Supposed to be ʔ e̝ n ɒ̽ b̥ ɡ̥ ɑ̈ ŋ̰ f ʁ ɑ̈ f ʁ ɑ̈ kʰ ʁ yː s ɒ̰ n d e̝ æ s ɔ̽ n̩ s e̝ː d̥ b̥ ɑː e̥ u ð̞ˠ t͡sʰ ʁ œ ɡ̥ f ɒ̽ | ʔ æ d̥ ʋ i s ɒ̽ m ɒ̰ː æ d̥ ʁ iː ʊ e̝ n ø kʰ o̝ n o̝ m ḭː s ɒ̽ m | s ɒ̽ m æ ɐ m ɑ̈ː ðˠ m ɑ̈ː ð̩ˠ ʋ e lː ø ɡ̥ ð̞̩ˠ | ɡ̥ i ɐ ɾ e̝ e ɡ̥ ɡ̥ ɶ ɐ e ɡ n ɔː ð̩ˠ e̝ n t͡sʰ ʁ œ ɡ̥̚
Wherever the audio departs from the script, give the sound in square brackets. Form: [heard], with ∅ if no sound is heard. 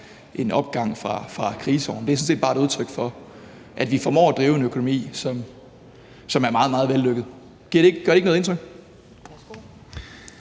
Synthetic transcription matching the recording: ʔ e̝ n ɒ̽ b̥ ɡ̥ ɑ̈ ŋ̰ f ʁ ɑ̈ f ʁ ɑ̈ kʰ ʁ [iː] s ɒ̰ n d e̝ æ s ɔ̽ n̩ s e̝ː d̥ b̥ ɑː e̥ u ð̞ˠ t͡sʰ ʁ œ ɡ̥ f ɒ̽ | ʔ æ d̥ ʋ i [f] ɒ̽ m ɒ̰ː æ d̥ ʁ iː ʊ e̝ n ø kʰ o̝ n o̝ m ḭː s ɒ̽ m | s ɒ̽ m æ ɐ m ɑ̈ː ðˠ m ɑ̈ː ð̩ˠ ʋ e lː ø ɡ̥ ð̞̩ˠ | ɡ̥ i ɐ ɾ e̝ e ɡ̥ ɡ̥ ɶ ɐ e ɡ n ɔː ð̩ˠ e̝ n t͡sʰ ʁ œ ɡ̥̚